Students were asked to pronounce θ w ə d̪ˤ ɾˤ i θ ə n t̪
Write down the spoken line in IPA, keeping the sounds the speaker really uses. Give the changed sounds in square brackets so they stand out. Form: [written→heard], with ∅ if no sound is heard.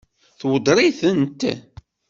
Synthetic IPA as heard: θ w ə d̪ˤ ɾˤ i θ ə n t̪